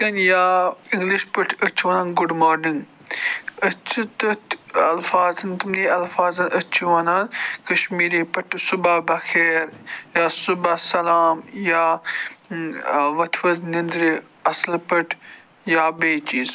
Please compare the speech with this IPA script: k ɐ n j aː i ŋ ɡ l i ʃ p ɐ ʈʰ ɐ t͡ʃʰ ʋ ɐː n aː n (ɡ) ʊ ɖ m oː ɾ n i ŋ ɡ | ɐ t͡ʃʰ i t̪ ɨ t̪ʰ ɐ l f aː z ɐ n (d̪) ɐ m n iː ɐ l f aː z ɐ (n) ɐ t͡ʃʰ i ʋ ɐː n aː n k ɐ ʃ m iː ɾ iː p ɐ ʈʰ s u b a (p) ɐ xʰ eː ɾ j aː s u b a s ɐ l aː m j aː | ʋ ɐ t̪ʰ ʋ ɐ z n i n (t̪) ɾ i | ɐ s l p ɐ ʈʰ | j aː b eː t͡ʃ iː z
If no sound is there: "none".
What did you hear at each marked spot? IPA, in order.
ɡ, t̪, n, b, d̪

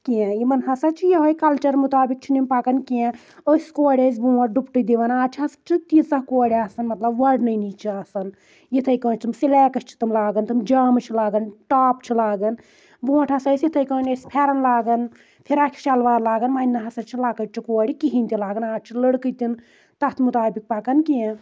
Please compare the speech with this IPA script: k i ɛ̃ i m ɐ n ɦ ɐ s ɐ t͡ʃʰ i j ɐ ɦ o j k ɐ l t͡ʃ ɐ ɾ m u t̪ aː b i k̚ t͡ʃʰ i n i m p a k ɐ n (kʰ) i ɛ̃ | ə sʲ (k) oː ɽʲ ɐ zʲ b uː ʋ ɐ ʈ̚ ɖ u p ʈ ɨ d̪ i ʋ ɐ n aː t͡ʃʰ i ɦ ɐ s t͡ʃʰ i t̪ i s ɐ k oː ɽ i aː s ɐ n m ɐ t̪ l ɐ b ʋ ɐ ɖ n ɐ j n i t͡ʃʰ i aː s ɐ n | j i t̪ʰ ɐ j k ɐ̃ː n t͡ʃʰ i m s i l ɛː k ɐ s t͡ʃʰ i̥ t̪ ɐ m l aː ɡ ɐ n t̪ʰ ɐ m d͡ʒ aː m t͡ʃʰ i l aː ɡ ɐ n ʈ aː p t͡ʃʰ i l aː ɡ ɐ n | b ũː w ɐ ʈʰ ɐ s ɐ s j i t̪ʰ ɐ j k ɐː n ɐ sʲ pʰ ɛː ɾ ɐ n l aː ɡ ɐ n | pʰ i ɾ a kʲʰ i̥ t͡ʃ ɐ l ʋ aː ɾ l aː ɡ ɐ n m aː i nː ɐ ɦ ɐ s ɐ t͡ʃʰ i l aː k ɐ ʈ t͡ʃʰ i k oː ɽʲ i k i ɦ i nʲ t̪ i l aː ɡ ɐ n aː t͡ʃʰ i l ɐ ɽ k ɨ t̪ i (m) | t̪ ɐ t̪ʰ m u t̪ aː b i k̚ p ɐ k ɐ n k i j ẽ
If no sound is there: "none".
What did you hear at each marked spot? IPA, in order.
k, k, n

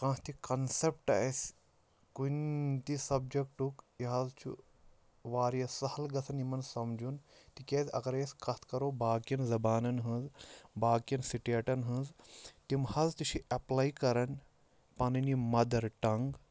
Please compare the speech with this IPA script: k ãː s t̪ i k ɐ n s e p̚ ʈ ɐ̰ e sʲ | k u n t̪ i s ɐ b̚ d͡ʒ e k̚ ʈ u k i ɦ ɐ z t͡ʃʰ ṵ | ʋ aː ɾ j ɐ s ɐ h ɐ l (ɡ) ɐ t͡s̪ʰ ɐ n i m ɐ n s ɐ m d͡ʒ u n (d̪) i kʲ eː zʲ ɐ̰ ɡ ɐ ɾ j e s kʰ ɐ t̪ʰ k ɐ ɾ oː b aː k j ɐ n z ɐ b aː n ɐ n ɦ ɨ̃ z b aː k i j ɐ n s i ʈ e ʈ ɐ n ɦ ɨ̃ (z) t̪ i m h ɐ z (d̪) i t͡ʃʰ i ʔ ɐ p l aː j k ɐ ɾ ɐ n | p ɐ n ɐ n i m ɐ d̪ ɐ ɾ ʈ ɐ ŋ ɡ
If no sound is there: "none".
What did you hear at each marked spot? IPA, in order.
ɡ, t̪, z, t̪

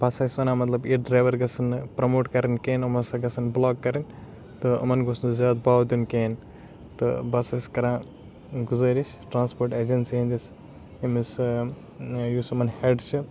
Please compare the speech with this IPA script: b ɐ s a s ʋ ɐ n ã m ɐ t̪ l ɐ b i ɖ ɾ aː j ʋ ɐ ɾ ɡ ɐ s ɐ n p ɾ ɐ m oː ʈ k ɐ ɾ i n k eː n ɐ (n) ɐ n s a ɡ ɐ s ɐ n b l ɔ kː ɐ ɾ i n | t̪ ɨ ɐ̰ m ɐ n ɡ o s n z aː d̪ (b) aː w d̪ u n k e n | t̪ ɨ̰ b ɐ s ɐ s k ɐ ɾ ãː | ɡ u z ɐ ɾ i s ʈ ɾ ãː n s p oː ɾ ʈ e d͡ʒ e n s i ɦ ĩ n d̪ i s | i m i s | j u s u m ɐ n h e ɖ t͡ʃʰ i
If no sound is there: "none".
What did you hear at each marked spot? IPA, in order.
m, b

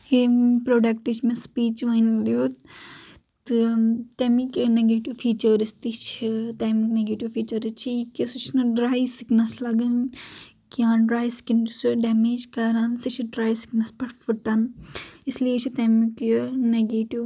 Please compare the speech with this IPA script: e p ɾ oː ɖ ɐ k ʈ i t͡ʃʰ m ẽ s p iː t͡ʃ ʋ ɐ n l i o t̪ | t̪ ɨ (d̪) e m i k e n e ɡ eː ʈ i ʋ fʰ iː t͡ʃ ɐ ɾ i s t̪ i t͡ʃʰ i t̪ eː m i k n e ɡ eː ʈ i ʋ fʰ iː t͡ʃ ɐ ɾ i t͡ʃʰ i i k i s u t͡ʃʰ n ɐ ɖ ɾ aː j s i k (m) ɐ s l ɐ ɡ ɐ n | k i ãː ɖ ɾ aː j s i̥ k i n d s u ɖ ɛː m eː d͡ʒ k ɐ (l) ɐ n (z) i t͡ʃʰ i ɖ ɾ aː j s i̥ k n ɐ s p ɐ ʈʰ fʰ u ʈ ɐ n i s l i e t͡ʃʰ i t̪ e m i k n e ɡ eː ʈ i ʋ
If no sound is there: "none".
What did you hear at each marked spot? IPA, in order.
t̪, n, ɾ, s

